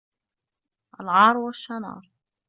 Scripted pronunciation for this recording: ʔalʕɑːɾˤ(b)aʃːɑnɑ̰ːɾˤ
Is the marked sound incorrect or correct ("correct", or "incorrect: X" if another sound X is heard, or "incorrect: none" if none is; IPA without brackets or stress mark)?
incorrect: w